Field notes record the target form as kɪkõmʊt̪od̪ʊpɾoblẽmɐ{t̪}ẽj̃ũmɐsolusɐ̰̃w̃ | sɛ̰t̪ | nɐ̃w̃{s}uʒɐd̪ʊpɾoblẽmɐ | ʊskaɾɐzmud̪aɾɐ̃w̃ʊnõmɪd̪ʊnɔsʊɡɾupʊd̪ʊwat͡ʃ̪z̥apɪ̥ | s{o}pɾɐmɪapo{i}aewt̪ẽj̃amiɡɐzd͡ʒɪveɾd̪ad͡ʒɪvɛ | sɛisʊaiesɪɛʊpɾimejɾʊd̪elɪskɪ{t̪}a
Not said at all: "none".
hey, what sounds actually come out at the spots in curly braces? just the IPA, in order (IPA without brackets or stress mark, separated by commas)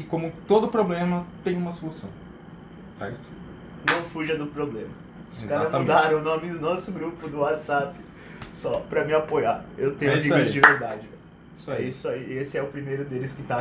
t̪, f, ɔ, j, t̪